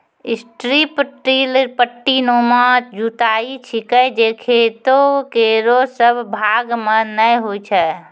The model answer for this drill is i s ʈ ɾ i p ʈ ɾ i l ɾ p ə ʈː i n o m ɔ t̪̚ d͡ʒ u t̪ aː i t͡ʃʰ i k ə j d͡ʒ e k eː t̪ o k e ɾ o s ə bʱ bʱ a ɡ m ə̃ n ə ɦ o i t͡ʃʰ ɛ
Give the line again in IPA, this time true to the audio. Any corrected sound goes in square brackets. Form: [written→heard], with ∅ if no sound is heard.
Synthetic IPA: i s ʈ ɾ i p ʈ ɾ i l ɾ p ə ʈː i n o m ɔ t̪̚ d͡ʒ u t̪ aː i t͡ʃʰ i k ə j d͡ʒ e [k→kʰ] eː t̪ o k e ɾ o s ə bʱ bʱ a ɡ m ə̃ n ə ɦ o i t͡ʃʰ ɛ